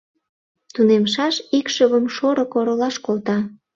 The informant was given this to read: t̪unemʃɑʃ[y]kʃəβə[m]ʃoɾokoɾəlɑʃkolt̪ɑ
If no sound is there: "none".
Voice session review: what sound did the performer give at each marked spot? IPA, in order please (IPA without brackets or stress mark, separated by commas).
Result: i, m